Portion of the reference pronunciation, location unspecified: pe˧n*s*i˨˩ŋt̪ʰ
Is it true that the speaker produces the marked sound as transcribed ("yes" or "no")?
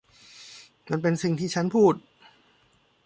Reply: yes